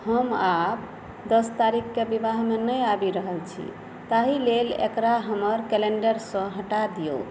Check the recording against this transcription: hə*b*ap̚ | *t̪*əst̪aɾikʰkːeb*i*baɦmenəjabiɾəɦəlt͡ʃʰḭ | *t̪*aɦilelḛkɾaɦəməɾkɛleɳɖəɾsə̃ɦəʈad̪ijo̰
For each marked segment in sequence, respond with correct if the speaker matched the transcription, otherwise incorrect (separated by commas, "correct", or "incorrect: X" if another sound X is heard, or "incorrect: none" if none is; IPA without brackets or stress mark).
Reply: incorrect: m, incorrect: d̪, correct, correct